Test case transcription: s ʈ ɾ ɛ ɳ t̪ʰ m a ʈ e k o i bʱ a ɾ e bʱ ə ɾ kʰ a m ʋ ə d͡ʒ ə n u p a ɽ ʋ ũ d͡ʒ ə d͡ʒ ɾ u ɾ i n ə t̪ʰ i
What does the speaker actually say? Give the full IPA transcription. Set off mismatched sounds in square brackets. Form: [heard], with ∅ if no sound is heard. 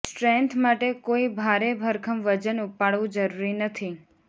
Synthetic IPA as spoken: s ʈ ɾ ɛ [n] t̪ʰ m a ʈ e k o i bʱ a ɾ e bʱ ə ɾ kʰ [ə] m ʋ ə d͡ʒ ə n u p a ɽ ʋ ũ d͡ʒ ə [∅] ɾ u ɾ i n ə t̪ʰ i